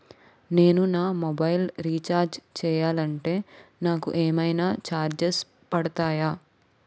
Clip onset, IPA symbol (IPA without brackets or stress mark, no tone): n